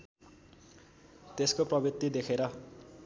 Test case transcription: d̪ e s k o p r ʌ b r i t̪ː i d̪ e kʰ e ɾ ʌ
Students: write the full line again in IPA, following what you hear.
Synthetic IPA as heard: t̪ e s k o p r ʌ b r i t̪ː i d̪ e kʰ e ɾ ʌ